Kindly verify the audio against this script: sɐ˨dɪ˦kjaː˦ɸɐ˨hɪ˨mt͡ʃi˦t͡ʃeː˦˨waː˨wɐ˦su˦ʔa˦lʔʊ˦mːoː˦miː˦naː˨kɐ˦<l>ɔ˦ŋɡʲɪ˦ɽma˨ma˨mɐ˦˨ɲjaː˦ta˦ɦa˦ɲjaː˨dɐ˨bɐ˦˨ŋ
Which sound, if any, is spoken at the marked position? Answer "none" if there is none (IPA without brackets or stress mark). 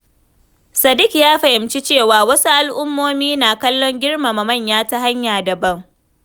lː